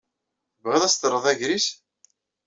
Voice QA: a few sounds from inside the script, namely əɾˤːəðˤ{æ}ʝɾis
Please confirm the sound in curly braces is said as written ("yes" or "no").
yes